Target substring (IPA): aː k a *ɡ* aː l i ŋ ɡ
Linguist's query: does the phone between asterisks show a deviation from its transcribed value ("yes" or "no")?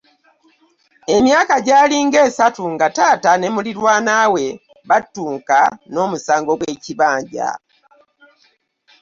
yes